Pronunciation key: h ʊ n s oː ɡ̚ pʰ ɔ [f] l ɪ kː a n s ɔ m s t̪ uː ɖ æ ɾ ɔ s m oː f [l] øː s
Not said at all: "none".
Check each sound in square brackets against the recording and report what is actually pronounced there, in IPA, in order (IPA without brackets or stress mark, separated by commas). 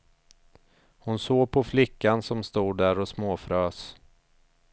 f, ɾ